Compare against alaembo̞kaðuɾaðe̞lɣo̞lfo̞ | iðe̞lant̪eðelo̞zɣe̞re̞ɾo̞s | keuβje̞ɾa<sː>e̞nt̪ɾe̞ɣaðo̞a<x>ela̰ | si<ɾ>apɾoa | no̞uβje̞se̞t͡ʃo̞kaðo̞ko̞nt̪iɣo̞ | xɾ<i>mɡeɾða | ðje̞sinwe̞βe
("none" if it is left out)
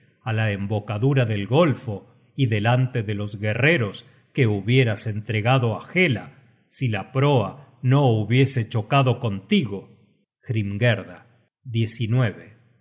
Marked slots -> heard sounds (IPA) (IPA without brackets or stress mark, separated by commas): s, x, l, i